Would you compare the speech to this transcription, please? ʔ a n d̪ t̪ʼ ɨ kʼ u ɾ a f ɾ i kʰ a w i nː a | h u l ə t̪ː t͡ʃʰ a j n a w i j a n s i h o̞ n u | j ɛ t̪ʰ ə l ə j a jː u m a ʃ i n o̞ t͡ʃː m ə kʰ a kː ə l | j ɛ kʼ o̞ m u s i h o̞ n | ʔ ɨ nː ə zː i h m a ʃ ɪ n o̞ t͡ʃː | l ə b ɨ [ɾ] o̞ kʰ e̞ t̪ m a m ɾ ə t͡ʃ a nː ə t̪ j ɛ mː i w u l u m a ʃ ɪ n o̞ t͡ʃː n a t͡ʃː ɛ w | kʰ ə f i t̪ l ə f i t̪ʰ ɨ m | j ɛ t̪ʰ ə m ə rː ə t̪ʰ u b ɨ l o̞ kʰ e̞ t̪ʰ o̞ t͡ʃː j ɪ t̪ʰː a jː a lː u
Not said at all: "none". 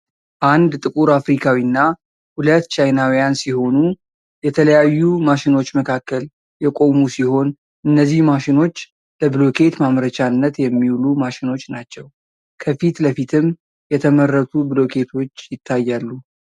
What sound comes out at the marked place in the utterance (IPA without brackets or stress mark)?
l